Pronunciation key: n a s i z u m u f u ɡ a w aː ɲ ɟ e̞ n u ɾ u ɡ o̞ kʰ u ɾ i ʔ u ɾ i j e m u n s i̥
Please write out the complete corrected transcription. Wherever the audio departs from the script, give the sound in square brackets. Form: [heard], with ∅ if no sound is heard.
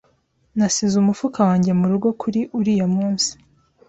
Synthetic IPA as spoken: n a s i z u m u f u [k] a w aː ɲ ɟ e̞ [m] u ɾ u ɡ o̞ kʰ u ɾ i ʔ u ɾ i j [a] m [uː] n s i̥